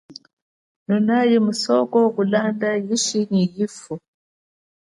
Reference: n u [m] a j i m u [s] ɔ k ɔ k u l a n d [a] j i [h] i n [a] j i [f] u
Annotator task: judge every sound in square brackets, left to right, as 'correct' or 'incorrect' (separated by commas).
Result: incorrect, correct, correct, incorrect, incorrect, correct